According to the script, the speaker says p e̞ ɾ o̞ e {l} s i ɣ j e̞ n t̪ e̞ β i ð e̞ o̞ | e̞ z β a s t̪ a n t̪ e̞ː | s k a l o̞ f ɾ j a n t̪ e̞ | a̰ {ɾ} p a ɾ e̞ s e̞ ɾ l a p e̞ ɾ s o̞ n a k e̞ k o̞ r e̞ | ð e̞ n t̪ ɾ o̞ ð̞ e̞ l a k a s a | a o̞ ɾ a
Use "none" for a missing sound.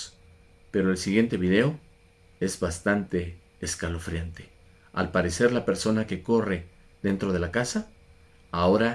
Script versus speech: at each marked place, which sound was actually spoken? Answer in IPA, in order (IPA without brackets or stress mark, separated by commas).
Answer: l, l